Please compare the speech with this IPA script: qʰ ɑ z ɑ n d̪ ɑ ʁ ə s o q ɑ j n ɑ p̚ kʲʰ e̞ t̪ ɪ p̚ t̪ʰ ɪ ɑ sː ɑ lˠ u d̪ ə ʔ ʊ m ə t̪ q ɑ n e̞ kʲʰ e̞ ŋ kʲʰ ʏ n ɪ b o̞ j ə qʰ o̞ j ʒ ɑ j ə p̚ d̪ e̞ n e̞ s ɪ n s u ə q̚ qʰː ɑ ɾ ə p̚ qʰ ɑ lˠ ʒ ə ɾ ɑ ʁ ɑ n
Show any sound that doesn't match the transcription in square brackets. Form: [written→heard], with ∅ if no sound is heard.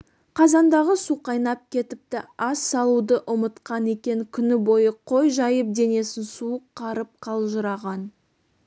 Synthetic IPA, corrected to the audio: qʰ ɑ z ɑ n d̪ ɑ ʁ ə s [o→u] q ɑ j n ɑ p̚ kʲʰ e̞ t̪ ɪ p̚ [t̪ʰ→t̪] ɪ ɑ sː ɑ lˠ u d̪ ə ʔ ʊ m ə t̪ q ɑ n e̞ [kʲʰ→kʲ] e̞ ŋ kʲʰ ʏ n ɪ b o̞ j ə qʰ o̞ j ʒ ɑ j ə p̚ d̪ e̞ n e̞ s ɪ n s u ə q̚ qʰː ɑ ɾ ə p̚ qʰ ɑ lˠ ʒ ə ɾ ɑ ʁ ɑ n